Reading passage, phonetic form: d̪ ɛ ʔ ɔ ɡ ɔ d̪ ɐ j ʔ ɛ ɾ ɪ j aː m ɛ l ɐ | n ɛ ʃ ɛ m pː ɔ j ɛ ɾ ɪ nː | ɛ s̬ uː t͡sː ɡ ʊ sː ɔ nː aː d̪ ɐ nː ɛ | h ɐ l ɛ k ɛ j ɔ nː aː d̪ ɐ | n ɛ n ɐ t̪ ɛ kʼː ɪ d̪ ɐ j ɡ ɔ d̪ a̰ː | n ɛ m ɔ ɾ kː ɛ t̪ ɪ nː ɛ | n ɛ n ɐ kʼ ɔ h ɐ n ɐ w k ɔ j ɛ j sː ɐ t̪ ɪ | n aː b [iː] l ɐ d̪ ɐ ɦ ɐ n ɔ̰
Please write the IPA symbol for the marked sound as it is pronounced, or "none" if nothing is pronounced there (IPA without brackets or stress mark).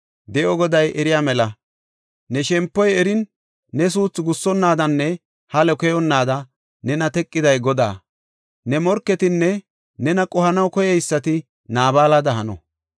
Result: aː